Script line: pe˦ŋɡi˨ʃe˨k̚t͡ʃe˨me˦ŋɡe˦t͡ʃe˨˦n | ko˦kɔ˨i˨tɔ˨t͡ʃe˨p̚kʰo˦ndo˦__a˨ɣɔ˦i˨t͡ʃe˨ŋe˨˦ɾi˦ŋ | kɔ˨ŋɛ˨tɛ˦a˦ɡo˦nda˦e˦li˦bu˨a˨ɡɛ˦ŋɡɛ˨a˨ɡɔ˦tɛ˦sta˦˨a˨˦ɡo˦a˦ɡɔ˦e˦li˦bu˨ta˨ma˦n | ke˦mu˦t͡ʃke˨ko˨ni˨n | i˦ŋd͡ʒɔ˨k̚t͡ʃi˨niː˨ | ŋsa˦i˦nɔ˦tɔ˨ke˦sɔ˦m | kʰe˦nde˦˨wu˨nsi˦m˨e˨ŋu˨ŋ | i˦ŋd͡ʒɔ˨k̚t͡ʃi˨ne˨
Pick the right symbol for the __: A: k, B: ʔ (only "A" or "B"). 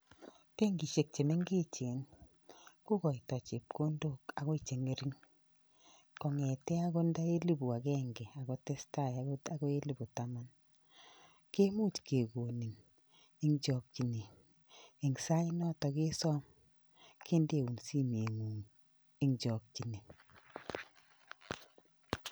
A